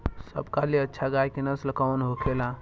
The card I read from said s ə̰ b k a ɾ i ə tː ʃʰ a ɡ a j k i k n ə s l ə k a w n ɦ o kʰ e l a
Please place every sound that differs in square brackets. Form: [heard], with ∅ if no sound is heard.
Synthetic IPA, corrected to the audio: s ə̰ b k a [l] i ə tː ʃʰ a ɡ a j k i [∅] n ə s l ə k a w n ɦ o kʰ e l a